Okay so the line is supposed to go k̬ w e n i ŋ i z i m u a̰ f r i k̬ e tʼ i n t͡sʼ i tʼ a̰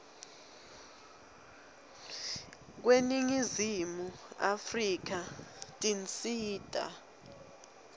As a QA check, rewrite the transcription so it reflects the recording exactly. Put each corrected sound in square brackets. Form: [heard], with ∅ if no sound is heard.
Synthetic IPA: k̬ w e n i ŋ i z i m u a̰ f r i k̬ [a] tʼ i n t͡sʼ [iː] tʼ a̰

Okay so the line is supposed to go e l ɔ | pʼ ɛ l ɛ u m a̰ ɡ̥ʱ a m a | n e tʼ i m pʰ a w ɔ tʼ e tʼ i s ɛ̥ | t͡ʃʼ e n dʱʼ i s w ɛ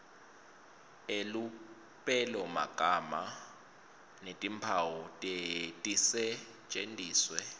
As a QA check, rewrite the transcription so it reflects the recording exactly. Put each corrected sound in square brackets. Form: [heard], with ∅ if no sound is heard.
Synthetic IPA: e l [u] | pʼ ɛ l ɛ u m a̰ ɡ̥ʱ a m a | n e tʼ i m pʰ a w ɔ tʼ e tʼ i s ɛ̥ | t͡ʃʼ e n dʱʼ [iː] s w ɛ

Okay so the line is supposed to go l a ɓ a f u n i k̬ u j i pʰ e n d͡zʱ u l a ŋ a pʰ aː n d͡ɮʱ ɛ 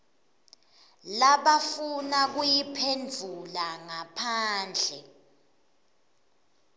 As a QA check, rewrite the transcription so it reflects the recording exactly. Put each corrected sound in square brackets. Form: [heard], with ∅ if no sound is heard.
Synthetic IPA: l a ɓ a f u n [a] k̬ u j i pʰ e n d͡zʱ u l a ŋ a pʰ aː n d͡ɮʱ ɛ

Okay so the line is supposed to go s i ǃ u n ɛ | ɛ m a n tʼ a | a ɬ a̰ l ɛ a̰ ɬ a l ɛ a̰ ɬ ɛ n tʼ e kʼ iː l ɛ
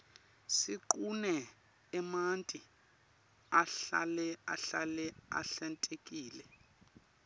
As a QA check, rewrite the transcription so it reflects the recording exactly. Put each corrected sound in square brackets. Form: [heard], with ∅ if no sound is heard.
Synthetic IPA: s i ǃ u n ɛ | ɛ m a n tʼ [i] | a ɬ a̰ l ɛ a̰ ɬ a l ɛ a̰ ɬ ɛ n tʼ e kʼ iː l ɛ

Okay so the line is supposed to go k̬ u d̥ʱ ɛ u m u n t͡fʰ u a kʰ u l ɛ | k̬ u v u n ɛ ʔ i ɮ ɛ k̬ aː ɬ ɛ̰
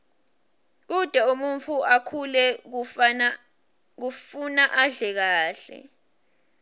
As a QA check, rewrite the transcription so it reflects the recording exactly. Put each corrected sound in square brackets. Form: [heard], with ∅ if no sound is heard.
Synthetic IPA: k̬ u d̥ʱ ɛ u m u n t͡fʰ u a kʰ u l ɛ | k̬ u [f] u n [a] ʔ [a] ɮ ɛ k̬ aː ɬ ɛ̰

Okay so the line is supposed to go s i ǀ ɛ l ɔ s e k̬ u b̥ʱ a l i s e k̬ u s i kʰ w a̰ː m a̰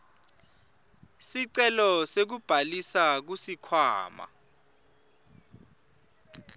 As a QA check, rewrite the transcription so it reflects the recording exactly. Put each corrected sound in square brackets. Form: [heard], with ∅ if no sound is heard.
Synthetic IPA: s i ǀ ɛ l ɔ s e k̬ u b̥ʱ a l i s [a] k̬ u s i kʰ w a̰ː m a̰

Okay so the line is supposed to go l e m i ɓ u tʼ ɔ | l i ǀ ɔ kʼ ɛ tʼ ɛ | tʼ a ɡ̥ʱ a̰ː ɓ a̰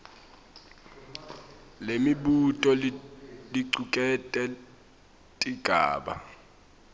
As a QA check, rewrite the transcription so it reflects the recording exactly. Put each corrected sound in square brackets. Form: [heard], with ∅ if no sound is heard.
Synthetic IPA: l e m i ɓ u tʼ ɔ | l i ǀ [u] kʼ ɛ tʼ ɛ | tʼ [i] ɡ̥ʱ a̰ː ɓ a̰

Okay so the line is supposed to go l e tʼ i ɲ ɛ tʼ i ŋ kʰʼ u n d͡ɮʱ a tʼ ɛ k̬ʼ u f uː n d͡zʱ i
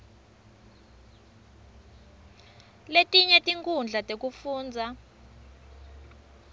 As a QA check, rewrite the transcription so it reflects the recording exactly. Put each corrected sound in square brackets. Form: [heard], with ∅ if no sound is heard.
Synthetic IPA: l e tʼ i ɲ ɛ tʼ i ŋ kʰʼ u n d͡ɮʱ a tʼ [e] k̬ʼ u f uː n d͡zʱ [a]

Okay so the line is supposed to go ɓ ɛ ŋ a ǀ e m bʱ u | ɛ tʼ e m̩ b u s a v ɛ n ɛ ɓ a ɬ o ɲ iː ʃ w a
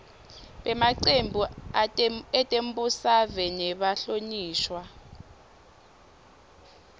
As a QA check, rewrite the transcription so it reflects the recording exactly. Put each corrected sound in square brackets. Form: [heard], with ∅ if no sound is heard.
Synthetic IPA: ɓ ɛ [m] a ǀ e m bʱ u | ɛ tʼ e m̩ b u s a v ɛ n ɛ ɓ a ɬ o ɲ iː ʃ w a

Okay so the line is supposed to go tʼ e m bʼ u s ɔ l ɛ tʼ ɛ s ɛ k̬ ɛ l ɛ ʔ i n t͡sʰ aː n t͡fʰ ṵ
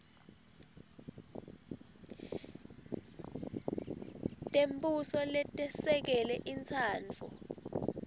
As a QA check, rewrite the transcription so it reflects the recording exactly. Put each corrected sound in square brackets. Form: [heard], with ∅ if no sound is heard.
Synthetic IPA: tʼ e m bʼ u s ɔ l ɛ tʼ ɛ s ɛ k̬ ɛ l ɛ ʔ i n t͡sʰ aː n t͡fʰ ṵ

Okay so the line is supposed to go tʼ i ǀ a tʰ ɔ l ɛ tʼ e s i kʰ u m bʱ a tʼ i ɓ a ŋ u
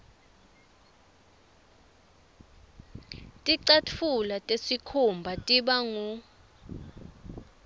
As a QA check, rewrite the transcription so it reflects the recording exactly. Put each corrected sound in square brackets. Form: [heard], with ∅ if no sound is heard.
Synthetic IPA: tʼ i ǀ a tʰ [u] l [a] tʼ e s i kʰ u m bʱ a tʼ i ɓ a ŋ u

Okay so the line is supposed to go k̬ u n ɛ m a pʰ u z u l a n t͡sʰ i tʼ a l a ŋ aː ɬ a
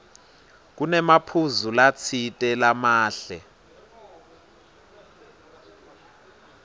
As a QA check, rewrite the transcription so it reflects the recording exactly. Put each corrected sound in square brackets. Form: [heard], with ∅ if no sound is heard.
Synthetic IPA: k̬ u n ɛ m a pʰ u z u l a [∅] t͡sʰ i tʼ [ɛ] l a [m] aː ɬ [ɛ]

